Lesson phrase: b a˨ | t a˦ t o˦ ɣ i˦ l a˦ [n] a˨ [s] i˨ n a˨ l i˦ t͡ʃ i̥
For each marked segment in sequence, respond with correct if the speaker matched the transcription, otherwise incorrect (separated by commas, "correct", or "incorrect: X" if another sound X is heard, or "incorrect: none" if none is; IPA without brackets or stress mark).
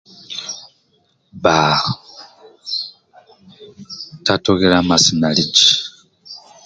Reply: incorrect: m, correct